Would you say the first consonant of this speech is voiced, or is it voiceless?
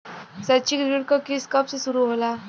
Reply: voiceless